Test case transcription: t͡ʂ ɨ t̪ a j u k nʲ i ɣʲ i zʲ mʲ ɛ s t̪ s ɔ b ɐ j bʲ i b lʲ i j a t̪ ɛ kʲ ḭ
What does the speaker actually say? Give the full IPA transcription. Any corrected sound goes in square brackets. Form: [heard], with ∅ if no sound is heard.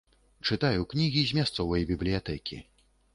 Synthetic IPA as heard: t͡ʂ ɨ t̪ a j u k nʲ i ɣʲ i zʲ mʲ [a] s t̪ s ɔ [v] ɐ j bʲ i b lʲ i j a t̪ ɛ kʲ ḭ